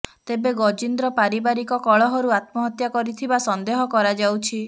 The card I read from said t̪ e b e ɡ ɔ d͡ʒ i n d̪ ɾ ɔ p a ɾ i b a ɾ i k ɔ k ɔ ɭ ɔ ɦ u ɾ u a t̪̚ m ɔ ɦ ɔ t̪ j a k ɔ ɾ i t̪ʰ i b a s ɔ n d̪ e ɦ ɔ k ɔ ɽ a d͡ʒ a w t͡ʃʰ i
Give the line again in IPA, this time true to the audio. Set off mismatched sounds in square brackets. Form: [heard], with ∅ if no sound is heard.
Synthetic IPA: t̪ e b e ɡ ɔ d͡ʒ i n d̪ ɾ ɔ p a ɾ i b a ɾ i k ɔ k ɔ ɭ ɔ ɦ [ɔ] ɾ u a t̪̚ m ɔ ɦ ɔ t̪ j a k ɔ ɾ i t̪ʰ i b a s ɔ n d̪ e ɦ ɔ k ɔ [ɾ] a d͡ʒ a w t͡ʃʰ i